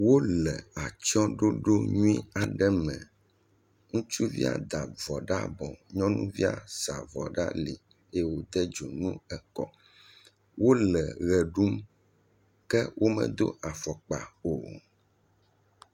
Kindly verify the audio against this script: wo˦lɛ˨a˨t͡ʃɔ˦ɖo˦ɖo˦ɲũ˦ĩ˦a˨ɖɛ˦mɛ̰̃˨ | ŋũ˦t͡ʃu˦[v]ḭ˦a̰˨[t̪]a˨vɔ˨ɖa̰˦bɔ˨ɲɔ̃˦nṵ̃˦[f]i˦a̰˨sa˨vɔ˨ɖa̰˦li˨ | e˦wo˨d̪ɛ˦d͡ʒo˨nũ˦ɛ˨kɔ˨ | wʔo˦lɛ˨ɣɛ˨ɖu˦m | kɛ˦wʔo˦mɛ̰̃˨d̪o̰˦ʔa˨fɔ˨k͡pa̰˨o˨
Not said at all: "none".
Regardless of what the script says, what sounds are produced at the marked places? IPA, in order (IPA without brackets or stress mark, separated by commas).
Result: v, d̪, v